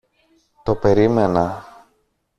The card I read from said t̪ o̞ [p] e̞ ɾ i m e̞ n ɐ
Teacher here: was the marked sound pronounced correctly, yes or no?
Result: yes